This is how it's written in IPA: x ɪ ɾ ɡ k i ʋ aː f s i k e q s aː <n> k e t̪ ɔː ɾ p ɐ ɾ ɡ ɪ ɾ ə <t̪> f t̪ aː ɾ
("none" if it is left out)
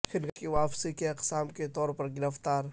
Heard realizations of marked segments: m, none

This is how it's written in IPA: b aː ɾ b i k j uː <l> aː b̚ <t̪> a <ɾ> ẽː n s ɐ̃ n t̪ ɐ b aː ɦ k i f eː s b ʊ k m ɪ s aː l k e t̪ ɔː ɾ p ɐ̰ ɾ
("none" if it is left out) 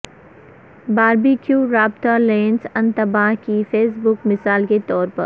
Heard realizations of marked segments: ɾ, t̪, l

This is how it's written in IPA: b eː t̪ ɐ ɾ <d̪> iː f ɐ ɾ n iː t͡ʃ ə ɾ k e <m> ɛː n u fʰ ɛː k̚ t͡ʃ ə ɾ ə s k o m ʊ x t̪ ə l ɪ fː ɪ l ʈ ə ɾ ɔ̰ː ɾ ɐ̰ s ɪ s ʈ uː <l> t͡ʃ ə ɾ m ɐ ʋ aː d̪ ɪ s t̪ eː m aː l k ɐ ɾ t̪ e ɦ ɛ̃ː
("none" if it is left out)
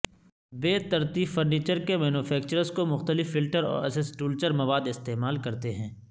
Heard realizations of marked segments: t̪, m, l

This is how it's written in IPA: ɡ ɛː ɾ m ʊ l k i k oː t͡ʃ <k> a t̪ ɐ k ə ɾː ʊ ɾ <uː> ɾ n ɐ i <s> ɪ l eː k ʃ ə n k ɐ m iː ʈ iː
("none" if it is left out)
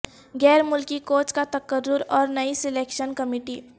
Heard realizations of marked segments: k, ɔː, s

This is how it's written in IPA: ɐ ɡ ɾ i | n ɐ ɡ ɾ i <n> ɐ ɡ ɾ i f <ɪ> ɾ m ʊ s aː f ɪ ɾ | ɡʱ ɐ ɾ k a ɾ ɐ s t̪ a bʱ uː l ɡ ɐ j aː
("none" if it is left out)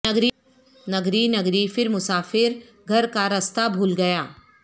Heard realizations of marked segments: n, ɪ

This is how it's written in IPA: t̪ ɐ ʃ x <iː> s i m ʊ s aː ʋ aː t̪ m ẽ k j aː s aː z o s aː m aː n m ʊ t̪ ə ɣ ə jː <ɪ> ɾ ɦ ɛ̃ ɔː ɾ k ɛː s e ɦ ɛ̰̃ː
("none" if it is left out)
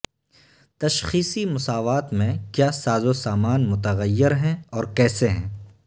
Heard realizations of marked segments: iː, ɪ

